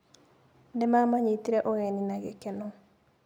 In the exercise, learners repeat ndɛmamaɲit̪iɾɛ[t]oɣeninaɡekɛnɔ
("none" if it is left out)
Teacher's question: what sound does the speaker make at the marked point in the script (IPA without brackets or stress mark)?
ʔ